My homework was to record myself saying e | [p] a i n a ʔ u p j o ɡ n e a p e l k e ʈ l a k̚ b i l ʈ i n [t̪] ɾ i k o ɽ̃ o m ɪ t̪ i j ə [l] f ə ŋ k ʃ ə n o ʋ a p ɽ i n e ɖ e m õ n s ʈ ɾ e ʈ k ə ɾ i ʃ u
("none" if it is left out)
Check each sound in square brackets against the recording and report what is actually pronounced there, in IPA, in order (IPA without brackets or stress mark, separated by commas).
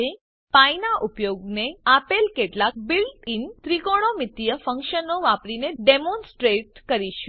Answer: p, t̪, none